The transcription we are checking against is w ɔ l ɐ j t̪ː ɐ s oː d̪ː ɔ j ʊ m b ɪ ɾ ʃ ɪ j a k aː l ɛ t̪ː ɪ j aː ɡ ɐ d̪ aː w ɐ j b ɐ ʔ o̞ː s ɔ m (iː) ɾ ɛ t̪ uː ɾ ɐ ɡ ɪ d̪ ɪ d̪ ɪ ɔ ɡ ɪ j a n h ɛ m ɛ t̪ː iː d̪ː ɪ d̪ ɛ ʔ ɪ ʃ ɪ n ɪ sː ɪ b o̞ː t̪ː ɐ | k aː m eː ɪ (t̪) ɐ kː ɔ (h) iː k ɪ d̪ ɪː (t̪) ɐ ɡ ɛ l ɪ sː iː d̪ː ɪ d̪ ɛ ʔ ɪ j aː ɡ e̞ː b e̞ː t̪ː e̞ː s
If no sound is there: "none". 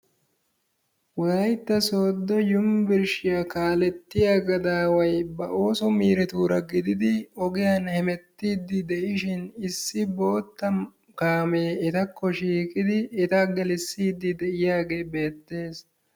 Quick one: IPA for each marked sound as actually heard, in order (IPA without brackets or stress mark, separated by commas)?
iː, t̪, ʃ, t̪